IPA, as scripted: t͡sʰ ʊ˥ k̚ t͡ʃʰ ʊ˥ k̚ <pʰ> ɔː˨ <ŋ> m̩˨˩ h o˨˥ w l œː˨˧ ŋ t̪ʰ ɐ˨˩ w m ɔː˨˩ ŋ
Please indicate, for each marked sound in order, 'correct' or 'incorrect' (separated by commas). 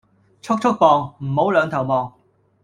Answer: incorrect, correct